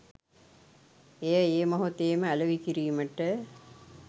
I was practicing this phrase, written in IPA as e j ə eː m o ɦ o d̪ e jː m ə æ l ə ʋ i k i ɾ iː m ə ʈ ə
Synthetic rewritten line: e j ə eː m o ɦ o t̪ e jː m ə æ l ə ʋ i k i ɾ iː m ə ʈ ə